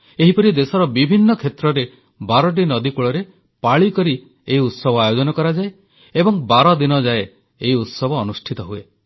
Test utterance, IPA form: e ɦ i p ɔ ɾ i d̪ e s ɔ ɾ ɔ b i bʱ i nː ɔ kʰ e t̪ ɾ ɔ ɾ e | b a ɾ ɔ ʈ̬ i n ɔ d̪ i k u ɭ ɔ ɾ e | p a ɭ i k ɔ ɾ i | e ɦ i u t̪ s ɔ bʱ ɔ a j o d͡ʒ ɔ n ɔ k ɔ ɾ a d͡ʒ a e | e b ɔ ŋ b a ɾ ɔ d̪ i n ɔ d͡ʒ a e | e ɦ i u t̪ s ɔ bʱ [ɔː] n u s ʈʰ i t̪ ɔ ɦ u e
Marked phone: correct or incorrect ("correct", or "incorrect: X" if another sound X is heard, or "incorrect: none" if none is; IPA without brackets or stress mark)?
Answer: correct